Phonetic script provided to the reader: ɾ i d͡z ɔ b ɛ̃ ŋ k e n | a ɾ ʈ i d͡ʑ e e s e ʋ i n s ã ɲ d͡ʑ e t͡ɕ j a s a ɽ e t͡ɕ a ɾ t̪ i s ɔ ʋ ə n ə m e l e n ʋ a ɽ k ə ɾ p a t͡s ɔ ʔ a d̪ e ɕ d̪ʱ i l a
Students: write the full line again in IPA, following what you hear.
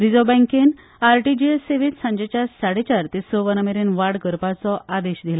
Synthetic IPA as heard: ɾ i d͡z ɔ b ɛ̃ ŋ k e n | a ɾ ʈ i d͡ʑ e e s e ʋ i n s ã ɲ d͡ʑ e t͡ɕ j a s a ɽ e t͡ɕ a ɾ t̪ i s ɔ ʋ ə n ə m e ɾ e n ʋ a ɽ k ə ɾ p a t͡s ɔ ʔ a d̪ e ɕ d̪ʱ i l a